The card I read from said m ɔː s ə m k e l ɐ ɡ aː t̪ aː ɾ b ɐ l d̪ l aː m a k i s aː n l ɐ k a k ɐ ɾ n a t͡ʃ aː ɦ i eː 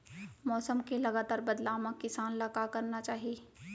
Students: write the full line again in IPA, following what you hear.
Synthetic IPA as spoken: m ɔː s ə m k e l ɐ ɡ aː t̪ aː ɾ b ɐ d̪ l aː m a k ɪ s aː n l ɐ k a k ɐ ɾ n a t͡ʃ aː ɦ i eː